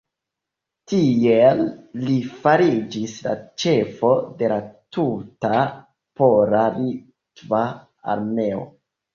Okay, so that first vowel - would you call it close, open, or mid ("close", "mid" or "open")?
close